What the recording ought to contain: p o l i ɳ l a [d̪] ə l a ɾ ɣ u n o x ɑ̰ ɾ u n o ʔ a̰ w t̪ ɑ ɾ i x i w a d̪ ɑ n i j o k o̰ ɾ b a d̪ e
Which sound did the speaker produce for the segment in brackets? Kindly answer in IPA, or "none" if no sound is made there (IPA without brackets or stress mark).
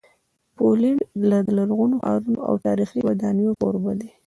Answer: d̪